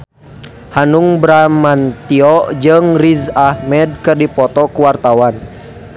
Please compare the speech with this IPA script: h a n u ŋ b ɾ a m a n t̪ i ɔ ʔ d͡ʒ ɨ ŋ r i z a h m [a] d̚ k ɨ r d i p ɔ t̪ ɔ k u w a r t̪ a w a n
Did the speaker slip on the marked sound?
yes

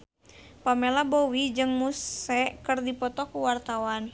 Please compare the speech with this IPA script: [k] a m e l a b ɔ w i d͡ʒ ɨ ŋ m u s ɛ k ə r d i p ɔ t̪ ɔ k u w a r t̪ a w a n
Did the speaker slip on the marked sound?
yes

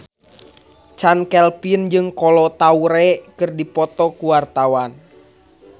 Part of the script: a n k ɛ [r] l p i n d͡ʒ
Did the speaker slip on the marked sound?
yes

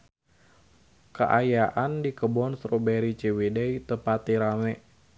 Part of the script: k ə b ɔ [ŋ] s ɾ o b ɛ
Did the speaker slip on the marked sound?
yes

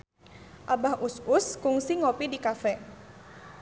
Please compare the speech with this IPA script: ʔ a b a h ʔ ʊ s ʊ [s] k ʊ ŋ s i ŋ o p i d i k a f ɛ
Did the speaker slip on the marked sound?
no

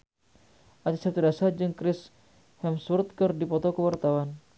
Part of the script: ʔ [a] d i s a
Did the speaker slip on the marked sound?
no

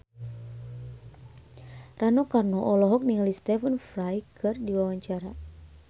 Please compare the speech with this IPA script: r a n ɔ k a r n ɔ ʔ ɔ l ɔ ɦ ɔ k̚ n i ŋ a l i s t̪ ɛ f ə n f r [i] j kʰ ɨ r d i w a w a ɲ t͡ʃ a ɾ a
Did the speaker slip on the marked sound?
yes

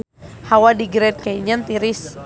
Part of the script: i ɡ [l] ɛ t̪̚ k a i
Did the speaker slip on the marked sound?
yes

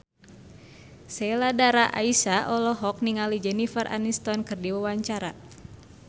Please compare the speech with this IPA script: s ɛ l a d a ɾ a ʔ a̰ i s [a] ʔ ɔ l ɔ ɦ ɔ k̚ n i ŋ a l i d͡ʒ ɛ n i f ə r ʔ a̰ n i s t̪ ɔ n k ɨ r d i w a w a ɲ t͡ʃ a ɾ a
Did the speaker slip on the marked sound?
no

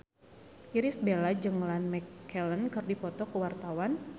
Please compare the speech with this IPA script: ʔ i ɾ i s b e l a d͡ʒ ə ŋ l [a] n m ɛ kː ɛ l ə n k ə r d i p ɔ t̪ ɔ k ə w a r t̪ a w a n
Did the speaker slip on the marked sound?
no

